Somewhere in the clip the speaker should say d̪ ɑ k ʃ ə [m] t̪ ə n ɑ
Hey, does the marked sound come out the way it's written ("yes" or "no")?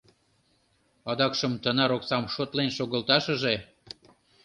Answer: yes